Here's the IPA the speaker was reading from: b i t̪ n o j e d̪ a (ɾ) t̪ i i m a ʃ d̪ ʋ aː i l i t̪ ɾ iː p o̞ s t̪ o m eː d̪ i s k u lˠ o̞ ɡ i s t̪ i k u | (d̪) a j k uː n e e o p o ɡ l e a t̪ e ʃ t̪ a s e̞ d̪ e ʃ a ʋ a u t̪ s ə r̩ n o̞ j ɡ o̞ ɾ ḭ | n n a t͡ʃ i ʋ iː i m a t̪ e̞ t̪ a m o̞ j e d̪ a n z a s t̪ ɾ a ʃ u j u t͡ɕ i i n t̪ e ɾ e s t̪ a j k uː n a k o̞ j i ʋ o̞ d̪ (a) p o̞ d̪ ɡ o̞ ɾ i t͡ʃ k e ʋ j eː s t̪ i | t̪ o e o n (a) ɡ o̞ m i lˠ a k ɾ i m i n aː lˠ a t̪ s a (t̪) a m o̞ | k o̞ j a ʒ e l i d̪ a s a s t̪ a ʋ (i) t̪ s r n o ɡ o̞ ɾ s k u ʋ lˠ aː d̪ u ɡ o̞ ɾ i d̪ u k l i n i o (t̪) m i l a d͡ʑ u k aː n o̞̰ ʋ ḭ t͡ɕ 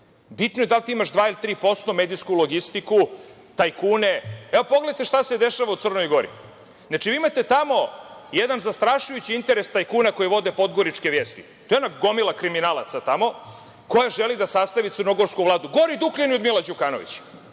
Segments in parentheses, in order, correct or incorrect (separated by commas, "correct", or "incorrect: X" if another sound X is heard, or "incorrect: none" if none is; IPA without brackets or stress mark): incorrect: l, incorrect: t̪, incorrect: e, correct, correct, correct, incorrect: d̪